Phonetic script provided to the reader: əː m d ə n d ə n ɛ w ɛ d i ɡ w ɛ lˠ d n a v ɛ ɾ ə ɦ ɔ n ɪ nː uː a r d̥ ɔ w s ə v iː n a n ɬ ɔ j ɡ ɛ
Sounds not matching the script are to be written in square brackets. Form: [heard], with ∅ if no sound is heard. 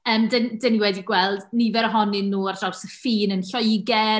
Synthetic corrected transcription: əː m d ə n d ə n [i] w ɛ d i ɡ w ɛ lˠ d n [i] v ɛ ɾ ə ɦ ɔ n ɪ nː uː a r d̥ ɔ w s ə [f] iː n [ə] n ɬ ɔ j ɡ ɛ